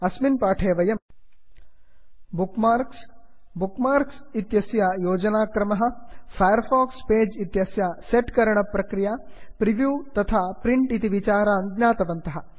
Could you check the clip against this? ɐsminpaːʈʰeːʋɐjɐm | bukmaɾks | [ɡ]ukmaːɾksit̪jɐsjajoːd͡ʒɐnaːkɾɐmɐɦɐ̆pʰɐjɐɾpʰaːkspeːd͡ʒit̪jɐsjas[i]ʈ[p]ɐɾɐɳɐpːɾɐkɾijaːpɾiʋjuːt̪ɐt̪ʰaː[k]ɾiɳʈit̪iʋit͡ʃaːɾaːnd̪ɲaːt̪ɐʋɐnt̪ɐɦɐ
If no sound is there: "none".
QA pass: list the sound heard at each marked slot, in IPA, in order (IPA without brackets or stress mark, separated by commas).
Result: b, e, k, p